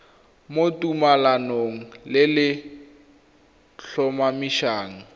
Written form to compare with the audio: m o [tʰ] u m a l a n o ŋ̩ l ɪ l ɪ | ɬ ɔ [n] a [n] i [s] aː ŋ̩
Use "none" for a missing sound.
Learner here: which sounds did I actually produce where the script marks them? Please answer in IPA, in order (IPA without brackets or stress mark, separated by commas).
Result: t, m, m, ʃ